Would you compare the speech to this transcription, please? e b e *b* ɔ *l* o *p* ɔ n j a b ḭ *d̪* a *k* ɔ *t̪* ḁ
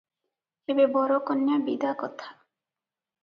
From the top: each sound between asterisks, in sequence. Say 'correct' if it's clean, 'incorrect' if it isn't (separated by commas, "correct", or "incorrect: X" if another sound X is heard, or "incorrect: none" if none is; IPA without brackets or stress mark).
correct, incorrect: ɾ, incorrect: k, correct, correct, incorrect: t̪ʰ